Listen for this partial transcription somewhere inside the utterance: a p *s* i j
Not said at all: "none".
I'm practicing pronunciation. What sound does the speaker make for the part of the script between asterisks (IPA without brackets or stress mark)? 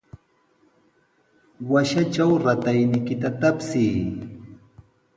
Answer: s